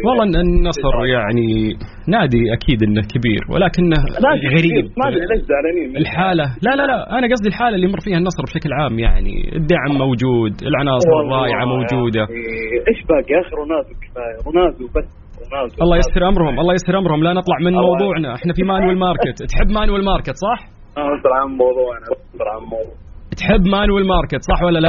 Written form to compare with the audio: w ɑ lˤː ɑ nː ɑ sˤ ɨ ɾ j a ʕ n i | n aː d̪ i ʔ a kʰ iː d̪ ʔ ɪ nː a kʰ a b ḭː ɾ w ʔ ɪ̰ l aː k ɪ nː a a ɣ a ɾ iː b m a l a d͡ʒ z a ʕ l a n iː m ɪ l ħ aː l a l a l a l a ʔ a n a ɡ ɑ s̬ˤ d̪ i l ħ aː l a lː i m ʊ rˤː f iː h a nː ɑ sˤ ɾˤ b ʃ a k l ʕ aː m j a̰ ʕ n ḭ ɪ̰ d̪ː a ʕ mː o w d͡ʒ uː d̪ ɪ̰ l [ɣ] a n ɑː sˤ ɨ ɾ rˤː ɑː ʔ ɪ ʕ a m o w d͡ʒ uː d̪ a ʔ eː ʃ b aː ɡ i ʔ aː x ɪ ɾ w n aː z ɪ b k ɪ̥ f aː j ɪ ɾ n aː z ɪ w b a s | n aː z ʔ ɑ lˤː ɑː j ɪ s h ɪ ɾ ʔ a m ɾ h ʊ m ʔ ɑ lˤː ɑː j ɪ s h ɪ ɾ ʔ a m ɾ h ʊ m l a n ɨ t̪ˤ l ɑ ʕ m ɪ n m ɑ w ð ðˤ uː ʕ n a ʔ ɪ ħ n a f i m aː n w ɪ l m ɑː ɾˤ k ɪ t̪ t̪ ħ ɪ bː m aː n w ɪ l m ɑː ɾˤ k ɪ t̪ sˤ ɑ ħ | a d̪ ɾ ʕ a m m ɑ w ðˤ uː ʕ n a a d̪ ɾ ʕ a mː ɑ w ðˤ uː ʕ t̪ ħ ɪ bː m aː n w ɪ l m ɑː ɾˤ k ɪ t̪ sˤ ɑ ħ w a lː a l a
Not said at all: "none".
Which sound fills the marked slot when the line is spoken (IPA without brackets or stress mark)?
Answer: ʕ